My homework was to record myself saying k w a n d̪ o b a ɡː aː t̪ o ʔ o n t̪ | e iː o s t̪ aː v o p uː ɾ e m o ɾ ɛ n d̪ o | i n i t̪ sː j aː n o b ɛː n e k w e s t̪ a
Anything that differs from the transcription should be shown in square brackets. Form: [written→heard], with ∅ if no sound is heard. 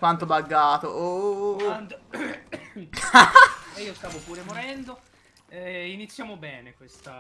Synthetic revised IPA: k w a n [d̪→t̪] o b a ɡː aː t̪ o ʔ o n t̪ | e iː o s t̪ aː v o p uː ɾ e m o ɾ ɛ n d̪ o | i n i t̪ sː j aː [n→m] o b ɛː n e k w e s t̪ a